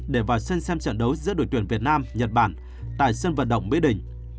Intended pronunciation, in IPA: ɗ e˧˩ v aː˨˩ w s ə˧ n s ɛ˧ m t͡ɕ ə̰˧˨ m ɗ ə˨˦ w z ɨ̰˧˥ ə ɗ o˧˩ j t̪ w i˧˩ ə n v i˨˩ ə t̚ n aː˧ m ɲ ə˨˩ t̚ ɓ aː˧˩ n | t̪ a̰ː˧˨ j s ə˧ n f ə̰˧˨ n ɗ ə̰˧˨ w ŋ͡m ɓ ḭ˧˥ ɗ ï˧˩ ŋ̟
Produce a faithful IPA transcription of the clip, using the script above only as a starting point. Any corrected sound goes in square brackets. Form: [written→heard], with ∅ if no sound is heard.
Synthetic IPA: ɗ e˧˩ v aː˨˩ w s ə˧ n s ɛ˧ m t͡ɕ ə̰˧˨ [m→n] ɗ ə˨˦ w z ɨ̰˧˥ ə ɗ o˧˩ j t̪ w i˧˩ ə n v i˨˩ ə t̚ n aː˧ m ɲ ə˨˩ t̚ ɓ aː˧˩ n | t̪ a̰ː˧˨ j s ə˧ n [f→v] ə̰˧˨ n ɗ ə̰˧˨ w ŋ͡m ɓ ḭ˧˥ ɗ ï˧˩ ŋ̟

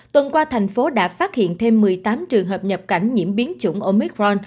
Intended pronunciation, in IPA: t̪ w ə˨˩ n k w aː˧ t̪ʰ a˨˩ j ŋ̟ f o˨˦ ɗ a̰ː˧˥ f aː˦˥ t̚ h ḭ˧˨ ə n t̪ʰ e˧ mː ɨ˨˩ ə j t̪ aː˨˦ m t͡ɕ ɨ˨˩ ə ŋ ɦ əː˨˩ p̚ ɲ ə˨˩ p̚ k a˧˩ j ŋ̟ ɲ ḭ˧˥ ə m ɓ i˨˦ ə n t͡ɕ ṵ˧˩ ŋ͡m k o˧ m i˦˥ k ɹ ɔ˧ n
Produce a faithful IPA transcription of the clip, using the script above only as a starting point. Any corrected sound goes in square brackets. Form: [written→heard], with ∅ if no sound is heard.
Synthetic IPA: t̪ w ə˨˩ n k w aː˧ t̪ʰ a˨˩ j ŋ̟ f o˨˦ ɗ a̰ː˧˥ f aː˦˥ t̚ h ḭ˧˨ ə n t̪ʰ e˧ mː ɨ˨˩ ə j t̪ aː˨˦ m t͡ɕ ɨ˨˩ ə ŋ ɦ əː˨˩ p̚ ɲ ə˨˩ p̚ k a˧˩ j ŋ̟ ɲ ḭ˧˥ ə m ɓ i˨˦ ə n t͡ɕ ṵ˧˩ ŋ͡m [k→ʔ] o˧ m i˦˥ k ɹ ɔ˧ n

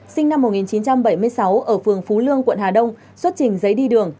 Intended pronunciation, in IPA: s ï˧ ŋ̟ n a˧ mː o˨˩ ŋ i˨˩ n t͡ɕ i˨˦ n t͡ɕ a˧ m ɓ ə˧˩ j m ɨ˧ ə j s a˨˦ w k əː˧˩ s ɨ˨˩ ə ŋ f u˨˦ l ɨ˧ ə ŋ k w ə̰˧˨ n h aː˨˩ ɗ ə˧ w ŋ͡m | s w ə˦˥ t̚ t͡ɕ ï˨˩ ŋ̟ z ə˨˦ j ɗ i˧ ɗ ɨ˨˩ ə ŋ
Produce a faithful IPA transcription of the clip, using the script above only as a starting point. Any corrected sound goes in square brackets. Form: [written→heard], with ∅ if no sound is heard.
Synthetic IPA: s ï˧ ŋ̟ n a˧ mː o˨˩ ŋ i˨˩ n t͡ɕ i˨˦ n t͡ɕ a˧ m ɓ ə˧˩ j m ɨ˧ ə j s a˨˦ w [k→ʔ] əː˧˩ [s→f] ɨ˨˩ ə ŋ f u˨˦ l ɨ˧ ə ŋ k w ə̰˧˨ n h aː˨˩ ɗ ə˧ w ŋ͡m | s w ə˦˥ t̚ t͡ɕ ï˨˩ ŋ̟ z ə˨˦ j ɗ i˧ ɗ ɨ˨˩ ə ŋ

